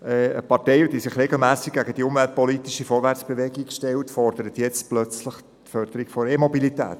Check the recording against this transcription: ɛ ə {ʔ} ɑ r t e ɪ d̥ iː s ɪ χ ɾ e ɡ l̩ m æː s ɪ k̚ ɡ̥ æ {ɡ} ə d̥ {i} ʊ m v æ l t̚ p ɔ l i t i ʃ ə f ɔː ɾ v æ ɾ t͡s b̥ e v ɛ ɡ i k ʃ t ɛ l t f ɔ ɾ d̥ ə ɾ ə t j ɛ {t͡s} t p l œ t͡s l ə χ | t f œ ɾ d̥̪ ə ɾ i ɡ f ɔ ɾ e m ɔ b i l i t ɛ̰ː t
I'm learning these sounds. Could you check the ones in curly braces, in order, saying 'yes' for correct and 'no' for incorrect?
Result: no, yes, yes, yes

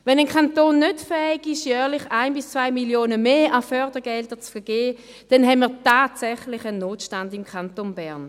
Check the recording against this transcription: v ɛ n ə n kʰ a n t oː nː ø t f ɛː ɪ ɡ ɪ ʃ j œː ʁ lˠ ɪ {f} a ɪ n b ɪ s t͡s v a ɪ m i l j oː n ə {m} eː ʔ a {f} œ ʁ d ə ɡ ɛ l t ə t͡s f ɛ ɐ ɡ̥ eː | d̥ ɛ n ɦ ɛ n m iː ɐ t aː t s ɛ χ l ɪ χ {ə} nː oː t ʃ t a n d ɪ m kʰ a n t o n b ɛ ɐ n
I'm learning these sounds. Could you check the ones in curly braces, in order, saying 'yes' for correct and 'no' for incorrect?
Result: no, yes, yes, yes

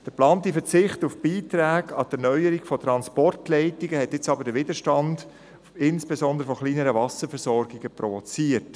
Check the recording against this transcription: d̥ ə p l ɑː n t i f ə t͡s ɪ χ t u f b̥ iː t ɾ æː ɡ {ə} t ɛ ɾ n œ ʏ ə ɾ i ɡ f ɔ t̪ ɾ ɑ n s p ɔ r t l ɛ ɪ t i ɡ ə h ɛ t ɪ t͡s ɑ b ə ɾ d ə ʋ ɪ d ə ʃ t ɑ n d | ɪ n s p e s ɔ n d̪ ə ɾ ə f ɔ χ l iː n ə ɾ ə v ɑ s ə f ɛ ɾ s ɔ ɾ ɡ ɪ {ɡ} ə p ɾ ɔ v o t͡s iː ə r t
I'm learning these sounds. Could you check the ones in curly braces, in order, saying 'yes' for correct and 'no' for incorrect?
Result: no, yes

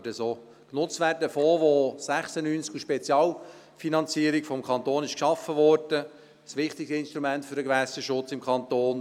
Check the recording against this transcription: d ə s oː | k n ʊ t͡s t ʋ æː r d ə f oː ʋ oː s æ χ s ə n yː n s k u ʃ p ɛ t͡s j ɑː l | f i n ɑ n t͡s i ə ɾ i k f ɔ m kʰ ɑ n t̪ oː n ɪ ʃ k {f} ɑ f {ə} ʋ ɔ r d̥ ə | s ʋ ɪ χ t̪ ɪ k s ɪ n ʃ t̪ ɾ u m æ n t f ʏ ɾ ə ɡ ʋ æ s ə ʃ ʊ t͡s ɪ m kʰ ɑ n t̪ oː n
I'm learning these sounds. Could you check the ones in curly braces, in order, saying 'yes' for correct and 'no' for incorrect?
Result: no, yes

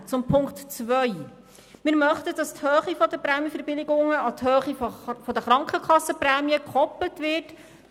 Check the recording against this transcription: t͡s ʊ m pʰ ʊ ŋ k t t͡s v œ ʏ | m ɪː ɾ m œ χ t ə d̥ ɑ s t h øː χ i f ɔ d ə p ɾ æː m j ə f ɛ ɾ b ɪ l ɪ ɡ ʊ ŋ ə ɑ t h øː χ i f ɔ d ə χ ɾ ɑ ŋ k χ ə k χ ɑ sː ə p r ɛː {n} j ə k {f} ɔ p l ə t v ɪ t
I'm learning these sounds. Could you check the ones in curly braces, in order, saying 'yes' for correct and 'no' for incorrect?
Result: no, no

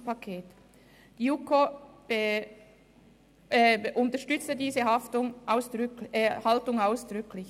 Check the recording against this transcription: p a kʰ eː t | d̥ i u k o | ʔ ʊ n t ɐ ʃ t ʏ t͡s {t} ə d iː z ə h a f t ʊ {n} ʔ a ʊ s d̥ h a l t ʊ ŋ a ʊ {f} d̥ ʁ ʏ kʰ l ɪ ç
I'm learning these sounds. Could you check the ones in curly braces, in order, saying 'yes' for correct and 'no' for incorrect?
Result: yes, no, no

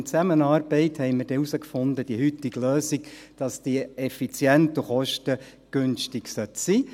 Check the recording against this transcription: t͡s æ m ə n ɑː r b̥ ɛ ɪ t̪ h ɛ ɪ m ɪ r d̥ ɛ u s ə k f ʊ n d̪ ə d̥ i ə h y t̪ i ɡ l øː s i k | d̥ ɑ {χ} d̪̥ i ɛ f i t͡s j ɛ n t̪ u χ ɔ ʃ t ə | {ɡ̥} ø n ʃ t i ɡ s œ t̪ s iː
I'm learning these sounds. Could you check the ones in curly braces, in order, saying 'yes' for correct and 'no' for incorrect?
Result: no, yes

